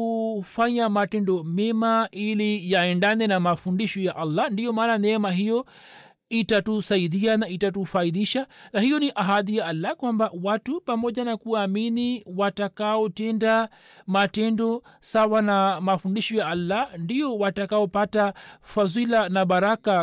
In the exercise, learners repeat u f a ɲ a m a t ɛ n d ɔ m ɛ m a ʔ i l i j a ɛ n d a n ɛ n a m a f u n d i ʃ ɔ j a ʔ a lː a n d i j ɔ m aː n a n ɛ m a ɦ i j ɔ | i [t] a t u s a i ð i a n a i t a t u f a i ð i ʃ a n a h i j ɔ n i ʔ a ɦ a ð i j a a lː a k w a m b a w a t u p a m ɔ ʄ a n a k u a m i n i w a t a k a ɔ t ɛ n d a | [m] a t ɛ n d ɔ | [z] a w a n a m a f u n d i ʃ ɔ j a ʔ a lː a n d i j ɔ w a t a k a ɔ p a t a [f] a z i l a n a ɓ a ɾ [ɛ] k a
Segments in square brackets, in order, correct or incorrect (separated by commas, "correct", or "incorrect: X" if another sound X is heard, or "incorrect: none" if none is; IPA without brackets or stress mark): correct, correct, incorrect: s, correct, incorrect: a